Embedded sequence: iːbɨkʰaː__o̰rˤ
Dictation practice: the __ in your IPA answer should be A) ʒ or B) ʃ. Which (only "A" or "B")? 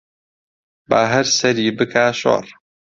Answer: B